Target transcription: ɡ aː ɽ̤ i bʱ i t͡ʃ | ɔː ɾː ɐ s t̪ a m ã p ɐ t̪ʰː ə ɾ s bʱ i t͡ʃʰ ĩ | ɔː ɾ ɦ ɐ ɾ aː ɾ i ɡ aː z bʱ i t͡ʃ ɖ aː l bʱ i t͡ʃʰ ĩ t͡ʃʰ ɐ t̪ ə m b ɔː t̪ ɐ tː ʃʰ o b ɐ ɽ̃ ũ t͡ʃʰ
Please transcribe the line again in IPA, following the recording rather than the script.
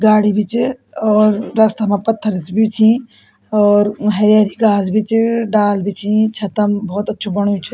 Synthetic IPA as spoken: ɡ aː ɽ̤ i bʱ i t͡ʃ | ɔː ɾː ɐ s t̪ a m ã p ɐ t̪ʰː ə ɾ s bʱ i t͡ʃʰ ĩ | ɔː ɾ ɦ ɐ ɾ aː ɾ i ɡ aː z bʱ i t͡ʃ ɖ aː l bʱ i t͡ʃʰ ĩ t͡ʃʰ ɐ t̪ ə m b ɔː t̪ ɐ tː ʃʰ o b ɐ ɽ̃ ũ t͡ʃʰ